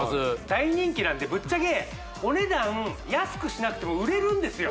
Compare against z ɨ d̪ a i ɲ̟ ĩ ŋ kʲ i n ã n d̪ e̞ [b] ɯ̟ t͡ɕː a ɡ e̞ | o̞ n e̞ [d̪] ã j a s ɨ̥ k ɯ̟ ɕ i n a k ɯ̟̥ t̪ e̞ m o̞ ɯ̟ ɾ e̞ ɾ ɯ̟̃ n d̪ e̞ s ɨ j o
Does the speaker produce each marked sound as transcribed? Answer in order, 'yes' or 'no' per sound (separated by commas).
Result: yes, yes